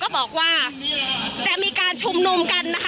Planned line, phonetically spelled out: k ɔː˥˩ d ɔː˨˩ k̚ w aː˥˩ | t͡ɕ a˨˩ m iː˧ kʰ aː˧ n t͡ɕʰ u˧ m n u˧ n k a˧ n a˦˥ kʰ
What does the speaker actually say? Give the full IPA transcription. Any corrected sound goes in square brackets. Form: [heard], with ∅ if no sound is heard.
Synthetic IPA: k ɔː˥˩ [b] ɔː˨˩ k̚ w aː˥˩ | t͡ɕ a˨˩ m iː˧ [k] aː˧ n t͡ɕʰ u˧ m n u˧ [m] k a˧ [nː] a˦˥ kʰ